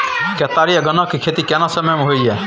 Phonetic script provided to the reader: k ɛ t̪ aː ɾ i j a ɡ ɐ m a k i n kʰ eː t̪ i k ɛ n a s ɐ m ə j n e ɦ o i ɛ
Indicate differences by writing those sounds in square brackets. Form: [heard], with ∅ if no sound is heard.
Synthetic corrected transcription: k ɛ t̪ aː ɾ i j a ɡ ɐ [n] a k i [∅] kʰ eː t̪ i k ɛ n a s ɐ m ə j [m] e ɦ o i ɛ